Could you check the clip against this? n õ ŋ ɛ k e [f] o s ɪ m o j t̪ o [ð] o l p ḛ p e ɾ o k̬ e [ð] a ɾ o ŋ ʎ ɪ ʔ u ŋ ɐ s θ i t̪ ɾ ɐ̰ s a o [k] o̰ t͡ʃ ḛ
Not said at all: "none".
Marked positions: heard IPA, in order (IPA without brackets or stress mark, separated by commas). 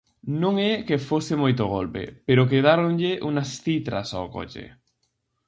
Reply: f, ɣ, ð, k